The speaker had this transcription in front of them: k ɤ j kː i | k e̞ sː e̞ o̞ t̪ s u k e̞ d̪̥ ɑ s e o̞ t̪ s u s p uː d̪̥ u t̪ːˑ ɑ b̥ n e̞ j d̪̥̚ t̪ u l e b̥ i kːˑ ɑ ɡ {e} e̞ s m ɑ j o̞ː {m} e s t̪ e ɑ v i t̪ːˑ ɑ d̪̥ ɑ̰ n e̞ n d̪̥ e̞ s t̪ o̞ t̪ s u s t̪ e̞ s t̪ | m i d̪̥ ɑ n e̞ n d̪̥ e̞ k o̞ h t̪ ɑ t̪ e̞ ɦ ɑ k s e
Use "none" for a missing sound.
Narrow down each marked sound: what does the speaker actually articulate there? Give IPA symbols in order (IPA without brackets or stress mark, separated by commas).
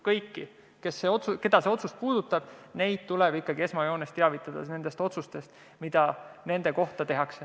i, n